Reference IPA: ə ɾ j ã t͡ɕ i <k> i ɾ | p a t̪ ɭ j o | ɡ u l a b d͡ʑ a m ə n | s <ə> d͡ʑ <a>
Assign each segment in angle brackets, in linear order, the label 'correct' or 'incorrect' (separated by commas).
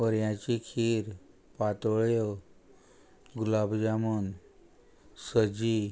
incorrect, correct, incorrect